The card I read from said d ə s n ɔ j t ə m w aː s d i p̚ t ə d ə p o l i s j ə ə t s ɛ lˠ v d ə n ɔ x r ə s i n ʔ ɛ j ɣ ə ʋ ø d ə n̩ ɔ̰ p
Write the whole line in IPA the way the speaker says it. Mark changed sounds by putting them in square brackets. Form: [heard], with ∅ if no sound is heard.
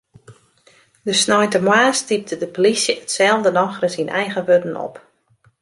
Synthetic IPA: d ə s n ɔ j t ə m w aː s [t] i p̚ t ə d ə p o l i s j ə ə t s ɛ lˠ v d ə n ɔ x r ə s i n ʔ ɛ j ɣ ə ʋ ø d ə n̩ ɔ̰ p